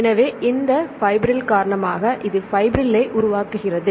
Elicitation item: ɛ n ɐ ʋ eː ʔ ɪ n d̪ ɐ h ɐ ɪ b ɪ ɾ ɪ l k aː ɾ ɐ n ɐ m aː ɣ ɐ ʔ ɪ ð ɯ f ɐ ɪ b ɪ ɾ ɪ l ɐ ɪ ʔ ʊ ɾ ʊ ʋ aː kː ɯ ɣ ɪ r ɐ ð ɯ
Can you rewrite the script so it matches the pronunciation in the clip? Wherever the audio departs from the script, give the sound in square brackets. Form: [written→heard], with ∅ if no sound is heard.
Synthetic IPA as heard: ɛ n ɐ ʋ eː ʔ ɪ n d̪ ɐ [h→f] ɐ ɪ b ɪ ɾ ɪ l k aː ɾ ɐ [n→ɳ] ɐ m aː ɣ ɐ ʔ ɪ ð ɯ f ɐ ɪ b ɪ ɾ ɪ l ɐ ɪ ʔ ʊ ɾ ʊ ʋ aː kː ɯ ɣ ɪ r ɐ ð ɯ